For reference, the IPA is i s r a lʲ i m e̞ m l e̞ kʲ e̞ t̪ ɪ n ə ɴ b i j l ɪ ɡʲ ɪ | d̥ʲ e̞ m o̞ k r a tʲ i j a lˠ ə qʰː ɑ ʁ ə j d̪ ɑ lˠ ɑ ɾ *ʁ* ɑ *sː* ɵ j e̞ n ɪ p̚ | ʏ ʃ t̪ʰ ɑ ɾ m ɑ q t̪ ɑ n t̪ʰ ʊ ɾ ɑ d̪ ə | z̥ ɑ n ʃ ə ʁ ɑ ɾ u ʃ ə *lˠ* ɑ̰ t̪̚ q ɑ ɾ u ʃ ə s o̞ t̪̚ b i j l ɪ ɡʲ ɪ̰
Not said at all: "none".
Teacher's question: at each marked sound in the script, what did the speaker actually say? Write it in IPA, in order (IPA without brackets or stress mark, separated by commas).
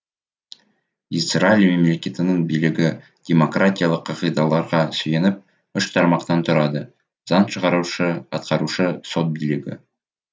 ʁ, s, none